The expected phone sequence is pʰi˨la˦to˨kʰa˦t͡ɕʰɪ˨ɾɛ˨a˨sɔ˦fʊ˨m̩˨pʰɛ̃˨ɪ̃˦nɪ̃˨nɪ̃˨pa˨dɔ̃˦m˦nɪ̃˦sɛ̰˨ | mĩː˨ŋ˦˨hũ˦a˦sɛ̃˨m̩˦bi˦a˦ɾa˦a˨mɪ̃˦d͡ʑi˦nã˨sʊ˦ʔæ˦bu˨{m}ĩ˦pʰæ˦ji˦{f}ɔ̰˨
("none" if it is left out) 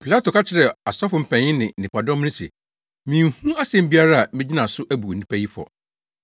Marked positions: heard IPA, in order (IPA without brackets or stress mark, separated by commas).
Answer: n, f